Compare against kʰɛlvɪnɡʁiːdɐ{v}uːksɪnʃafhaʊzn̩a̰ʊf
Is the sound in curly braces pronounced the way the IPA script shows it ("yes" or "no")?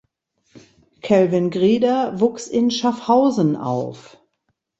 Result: yes